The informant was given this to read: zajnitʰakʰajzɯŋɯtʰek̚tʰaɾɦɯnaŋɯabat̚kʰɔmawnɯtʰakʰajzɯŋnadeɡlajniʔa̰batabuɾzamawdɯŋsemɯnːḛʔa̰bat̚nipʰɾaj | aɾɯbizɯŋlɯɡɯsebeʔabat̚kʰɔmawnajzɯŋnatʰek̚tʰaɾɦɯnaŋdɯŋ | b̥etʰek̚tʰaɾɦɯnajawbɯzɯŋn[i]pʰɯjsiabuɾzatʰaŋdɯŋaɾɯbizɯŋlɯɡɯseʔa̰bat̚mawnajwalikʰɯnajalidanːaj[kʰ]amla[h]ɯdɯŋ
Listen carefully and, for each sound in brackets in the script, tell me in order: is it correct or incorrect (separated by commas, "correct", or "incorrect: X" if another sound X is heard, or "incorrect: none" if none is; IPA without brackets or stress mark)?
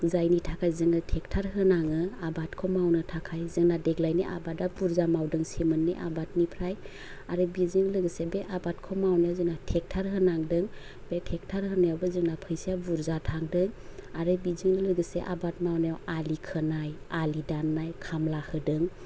incorrect: a, correct, correct